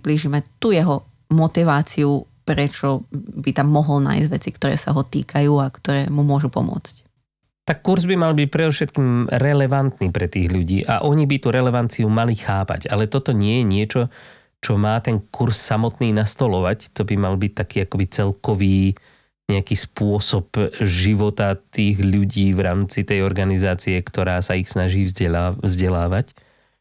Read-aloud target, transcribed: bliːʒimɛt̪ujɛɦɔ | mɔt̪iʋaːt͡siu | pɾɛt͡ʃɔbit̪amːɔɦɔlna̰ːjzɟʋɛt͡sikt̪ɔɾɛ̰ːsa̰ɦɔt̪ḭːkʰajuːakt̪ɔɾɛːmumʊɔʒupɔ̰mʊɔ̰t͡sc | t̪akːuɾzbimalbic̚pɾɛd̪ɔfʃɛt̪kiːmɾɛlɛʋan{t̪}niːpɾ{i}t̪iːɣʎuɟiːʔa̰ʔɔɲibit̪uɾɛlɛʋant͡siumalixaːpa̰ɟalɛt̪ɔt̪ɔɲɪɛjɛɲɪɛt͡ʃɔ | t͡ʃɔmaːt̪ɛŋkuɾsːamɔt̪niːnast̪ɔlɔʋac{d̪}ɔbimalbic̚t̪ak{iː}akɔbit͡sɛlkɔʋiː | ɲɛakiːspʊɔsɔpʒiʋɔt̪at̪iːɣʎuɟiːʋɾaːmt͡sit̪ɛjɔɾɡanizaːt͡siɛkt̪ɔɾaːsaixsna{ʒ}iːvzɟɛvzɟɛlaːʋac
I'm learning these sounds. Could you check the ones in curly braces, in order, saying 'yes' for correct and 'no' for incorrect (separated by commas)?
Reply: yes, no, no, yes, yes